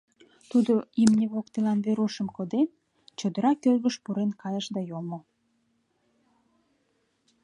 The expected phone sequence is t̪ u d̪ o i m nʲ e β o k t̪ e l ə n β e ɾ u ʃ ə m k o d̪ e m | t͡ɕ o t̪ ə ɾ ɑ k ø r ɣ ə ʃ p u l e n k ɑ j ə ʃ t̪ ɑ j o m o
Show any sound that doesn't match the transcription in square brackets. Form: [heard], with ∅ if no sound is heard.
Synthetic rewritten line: t̪ u d̪ o i m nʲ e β o k t̪ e l [ɑ] n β e ɾ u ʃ ə m k o d̪ e [n] | t͡ɕ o [d̪] ə ɾ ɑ k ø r ɣ ə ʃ p u [ɾ] e n k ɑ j ə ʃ [d̪] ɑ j o m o

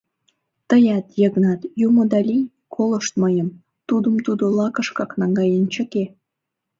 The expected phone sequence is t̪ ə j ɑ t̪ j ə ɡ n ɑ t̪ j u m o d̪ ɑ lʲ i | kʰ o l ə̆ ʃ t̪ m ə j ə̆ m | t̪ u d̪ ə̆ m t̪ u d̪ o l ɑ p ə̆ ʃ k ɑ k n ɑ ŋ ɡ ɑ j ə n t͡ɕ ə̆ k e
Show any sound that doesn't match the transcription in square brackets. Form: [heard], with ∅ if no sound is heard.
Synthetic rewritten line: t̪ ə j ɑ t̪ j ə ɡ n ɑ t̪ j u m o d̪ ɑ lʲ i | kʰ o l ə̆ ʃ t̪ m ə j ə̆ m | t̪ u d̪ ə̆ m t̪ u d̪ o l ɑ [k] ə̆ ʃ k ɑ k n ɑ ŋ ɡ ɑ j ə n t͡ɕ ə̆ k e

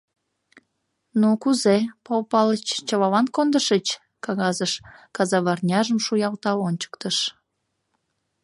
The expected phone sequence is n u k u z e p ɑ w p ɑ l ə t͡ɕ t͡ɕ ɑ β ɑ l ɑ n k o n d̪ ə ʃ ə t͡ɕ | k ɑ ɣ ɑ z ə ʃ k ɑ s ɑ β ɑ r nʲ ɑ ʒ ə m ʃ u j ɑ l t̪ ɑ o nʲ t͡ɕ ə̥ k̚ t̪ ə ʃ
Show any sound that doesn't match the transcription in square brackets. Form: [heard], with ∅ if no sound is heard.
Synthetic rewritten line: n u k u z e p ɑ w p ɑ l ə t͡ɕ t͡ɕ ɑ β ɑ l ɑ n k o n d̪ ə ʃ ə t͡ɕ | k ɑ ɣ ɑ z ə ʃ k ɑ [z] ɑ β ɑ r nʲ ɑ ʒ ə m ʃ u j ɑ l t̪ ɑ o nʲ t͡ɕ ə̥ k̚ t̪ ə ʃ

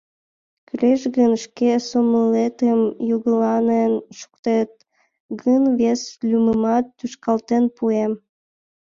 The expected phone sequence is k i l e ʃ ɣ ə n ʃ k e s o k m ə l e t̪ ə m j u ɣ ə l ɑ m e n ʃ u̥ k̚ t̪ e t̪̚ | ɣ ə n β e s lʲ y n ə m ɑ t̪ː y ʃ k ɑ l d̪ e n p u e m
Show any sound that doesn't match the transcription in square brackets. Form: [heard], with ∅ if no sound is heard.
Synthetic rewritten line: k [y] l e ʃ ɣ ə n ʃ k e s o [∅] m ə l e t̪ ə m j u ɣ ə l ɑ [n] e n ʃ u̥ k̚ t̪ e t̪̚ | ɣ ə n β e s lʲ y [m] ə m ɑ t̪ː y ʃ k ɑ l [t̪] e n p u e m

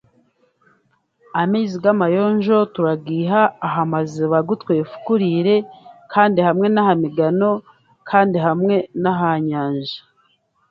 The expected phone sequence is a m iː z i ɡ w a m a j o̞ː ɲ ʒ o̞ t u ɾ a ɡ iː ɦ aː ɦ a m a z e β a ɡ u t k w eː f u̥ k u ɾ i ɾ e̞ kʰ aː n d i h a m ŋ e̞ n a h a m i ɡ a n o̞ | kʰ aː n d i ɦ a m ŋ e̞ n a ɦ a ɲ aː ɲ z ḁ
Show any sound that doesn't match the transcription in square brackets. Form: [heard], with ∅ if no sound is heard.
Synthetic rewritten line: a m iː z i ɡ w a m a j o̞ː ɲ ʒ o̞ t u ɾ a ɡ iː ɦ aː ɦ a m a z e β a ɡ u t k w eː f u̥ k u ɾ i ɾ e̞ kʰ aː n d i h a m ŋ e̞ n a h a m i ɡ a n o̞ | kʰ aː n d i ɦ a m ŋ e̞ n a ɦ a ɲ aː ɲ [ʒ] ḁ

